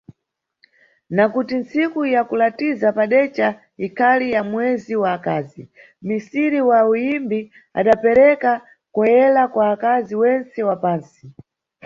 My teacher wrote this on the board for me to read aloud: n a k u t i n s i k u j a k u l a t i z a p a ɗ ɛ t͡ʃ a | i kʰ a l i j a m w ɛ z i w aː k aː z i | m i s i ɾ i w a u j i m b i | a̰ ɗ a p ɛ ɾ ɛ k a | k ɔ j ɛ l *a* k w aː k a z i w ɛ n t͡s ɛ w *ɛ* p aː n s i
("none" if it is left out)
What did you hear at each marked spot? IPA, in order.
a, a

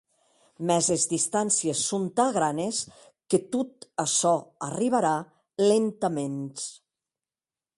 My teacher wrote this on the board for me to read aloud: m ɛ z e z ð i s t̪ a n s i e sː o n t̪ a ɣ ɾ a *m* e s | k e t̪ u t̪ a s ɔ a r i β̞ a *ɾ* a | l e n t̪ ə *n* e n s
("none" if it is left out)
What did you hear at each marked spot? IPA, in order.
n, ɾ, m

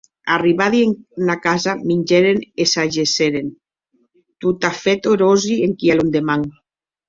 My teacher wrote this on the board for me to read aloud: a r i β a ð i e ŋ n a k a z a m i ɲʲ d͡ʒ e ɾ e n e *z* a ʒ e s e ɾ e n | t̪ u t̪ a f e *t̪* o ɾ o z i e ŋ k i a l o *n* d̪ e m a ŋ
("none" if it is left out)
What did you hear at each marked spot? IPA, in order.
s, t̪, n

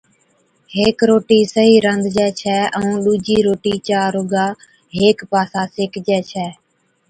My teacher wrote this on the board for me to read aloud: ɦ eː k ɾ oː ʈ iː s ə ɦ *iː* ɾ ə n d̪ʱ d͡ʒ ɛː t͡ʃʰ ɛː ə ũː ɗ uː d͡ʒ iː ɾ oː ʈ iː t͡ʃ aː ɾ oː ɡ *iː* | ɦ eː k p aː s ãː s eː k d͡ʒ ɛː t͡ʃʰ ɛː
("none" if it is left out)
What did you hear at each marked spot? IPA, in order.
iː, aː

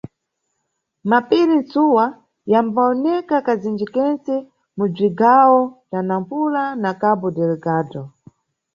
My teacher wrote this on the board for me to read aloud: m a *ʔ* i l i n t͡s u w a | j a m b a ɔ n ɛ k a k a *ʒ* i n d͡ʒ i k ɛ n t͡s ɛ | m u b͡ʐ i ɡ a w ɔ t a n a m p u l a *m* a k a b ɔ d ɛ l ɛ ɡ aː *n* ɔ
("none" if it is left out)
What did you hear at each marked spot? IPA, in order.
p, z, n, d

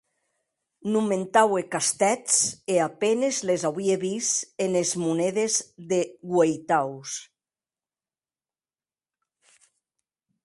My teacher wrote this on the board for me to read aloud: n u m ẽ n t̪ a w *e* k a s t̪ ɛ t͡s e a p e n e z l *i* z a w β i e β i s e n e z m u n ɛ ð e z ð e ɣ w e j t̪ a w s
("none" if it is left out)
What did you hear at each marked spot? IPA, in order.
e, e

